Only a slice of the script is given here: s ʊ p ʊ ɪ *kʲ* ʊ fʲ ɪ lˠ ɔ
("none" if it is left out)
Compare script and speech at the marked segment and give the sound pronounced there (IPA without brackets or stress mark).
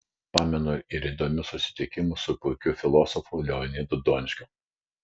kʲ